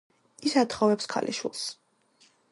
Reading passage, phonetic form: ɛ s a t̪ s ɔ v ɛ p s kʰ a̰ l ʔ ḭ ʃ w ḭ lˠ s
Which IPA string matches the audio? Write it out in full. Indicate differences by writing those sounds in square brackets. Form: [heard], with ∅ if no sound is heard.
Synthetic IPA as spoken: [i] s a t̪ [χ] ɔ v ɛ p s kʰ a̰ l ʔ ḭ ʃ w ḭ lˠ s